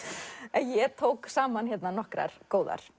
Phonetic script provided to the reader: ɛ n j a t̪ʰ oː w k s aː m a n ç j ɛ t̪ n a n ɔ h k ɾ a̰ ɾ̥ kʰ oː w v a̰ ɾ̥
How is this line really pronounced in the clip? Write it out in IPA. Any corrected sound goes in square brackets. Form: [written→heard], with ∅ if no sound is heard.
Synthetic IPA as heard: ɛ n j [a→ɛ] t̪ʰ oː w k s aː m a n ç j ɛ t̪ n a n ɔ h k ɾ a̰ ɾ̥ [kʰ→k] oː w [v→ð] a̰ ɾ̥